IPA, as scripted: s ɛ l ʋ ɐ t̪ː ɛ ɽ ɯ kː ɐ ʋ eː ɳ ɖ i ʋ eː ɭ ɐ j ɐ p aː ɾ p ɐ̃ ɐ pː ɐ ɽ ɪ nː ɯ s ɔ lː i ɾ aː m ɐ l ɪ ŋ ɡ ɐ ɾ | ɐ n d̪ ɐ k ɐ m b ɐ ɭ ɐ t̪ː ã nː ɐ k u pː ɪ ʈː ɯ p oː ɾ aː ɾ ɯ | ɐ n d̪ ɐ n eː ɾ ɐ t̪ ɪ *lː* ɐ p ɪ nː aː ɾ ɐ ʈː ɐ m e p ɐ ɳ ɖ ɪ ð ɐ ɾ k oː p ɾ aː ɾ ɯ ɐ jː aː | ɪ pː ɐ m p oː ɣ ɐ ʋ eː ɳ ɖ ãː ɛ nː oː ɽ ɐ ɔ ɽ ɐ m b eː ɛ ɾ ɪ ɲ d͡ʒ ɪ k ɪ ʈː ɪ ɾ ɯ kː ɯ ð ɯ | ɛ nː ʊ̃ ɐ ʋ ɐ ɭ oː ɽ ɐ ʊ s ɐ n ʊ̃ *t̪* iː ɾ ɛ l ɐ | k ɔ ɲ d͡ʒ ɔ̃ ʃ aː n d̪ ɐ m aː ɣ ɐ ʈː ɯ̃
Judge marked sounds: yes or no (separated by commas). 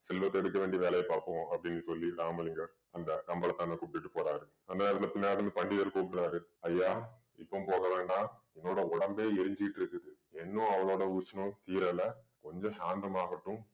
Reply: no, yes